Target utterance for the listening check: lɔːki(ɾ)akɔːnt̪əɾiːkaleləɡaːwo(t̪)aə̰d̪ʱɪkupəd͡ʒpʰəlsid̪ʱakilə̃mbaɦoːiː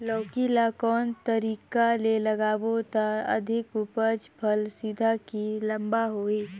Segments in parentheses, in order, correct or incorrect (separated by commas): incorrect, correct